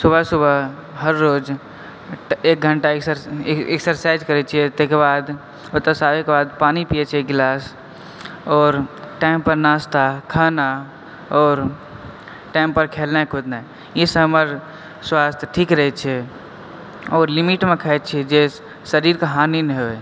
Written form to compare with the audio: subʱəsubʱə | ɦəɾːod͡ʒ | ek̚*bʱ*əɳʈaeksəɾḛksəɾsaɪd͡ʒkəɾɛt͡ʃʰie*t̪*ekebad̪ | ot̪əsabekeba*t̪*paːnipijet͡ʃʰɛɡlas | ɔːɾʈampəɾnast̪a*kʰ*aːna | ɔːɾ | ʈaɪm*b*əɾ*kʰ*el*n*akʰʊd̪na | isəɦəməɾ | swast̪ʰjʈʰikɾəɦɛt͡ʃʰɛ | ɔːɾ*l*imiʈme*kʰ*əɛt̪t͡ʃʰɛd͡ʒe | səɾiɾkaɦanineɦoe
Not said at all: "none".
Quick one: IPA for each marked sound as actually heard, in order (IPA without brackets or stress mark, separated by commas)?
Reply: ɡʱ, t̪, d̪, kʰ, p, kʰ, n, l, kʰ